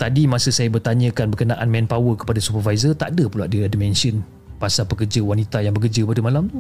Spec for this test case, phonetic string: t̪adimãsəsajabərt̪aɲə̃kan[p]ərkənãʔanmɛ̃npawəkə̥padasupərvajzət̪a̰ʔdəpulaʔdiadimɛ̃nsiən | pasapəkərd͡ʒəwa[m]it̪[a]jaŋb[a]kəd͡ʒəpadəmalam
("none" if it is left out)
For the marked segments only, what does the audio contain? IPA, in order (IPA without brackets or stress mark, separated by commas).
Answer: b, n, a, ə